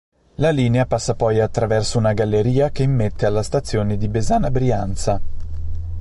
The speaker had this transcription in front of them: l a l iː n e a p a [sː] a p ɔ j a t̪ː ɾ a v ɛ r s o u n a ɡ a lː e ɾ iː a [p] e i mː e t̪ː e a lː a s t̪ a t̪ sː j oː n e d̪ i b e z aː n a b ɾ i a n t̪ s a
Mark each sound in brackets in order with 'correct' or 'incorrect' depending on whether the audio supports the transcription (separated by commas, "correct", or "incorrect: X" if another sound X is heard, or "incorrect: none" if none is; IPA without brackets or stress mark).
correct, incorrect: k